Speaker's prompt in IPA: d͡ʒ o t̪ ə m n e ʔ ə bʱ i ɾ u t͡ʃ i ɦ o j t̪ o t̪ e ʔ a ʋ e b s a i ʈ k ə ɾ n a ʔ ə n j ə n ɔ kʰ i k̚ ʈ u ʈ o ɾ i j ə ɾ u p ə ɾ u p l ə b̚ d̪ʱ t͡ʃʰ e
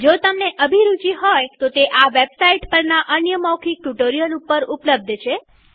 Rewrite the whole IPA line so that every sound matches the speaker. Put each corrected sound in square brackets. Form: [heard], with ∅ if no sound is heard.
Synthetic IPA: d͡ʒ o t̪ ə m n e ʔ ə bʱ i ɾ u t͡ʃ i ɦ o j t̪ o t̪ e ʔ a ʋ e b s a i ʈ [p] ə ɾ n a ʔ ə n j ə [m] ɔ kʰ i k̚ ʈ u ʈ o ɾ i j ə [l] u p ə ɾ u p l ə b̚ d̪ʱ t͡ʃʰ e